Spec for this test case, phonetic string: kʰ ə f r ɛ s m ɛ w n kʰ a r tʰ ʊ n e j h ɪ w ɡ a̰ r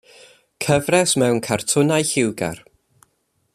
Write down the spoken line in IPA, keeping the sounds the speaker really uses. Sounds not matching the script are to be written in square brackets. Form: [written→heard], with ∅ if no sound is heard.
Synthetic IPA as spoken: kʰ ə [f→v] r ɛ s m ɛ w n kʰ a r tʰ ʊ n [e→a] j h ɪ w ɡ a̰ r